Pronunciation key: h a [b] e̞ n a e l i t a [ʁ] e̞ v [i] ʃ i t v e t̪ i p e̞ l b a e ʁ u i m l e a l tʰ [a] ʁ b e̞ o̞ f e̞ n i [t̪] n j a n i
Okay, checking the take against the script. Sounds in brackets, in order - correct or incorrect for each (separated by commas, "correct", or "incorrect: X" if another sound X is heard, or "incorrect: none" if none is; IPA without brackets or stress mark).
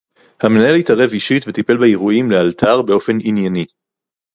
incorrect: m, correct, correct, correct, incorrect: none